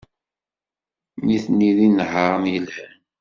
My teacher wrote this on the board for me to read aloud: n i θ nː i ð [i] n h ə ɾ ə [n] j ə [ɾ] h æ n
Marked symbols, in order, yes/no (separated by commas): yes, no, no